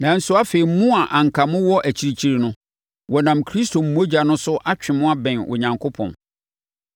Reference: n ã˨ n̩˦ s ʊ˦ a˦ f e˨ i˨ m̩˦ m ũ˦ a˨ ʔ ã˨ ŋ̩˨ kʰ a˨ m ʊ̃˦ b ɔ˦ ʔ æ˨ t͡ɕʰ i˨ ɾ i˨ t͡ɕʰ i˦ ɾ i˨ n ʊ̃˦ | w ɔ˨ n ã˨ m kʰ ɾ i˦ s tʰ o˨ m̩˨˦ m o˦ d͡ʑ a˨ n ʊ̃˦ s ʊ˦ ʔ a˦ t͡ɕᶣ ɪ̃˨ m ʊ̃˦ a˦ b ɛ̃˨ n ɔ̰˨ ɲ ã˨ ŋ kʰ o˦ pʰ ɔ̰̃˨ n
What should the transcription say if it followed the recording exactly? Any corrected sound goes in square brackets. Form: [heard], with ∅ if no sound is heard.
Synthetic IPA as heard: n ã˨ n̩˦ s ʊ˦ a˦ f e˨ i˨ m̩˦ m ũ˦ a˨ ʔ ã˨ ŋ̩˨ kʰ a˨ m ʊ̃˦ [w] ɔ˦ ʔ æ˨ t͡ɕʰ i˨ ɾ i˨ t͡ɕʰ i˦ ɾ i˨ n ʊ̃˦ | w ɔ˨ n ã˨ m kʰ ɾ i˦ s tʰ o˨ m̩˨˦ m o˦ d͡ʑ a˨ n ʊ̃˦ s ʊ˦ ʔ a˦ t͡ɕᶣ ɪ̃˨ m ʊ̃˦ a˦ b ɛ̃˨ n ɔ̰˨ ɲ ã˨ ŋ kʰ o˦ pʰ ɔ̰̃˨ n